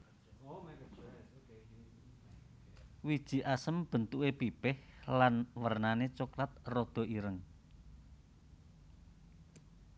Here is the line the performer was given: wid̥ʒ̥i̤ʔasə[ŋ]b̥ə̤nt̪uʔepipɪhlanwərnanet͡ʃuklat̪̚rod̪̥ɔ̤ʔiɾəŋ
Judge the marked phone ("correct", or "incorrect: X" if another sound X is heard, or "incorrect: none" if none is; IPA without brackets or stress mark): incorrect: m